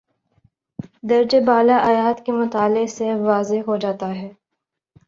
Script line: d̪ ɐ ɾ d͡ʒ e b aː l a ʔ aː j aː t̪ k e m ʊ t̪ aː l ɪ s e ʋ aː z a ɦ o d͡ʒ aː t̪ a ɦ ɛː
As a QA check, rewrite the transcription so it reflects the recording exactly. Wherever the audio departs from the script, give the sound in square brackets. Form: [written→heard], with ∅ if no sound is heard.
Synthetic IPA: d̪ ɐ ɾ d͡ʒ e b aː l a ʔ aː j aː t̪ k e m ʊ t̪ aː l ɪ s e ʋ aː z [a→e] ɦ o d͡ʒ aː t̪ a ɦ ɛː